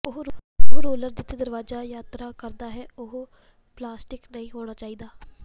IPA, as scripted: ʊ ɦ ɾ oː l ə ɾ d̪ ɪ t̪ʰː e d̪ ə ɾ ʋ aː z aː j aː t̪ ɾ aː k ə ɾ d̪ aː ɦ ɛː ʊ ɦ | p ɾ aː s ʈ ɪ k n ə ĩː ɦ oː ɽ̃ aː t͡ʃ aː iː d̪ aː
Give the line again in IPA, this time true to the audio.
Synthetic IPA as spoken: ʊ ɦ ɾ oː l ə ɾ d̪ ɪ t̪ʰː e d̪ ə ɾ ʋ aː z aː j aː t̪ ɾ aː k ə ɾ d̪ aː ɦ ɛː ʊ ɦ | p l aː s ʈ ɪ k n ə ĩː ɦ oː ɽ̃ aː t͡ʃ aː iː d̪ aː